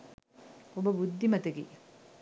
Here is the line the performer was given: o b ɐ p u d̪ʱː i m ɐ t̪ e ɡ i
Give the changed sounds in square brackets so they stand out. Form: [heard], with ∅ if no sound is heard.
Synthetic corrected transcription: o b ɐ [b] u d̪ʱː i m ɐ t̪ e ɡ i